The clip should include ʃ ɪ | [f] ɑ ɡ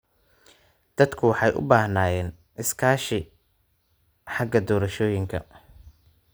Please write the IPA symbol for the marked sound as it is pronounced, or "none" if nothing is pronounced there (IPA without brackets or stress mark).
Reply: ħ